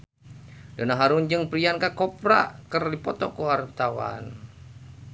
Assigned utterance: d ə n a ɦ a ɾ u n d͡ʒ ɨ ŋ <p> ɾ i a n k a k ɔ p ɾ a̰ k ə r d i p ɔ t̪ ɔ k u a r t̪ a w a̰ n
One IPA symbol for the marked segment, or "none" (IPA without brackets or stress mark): p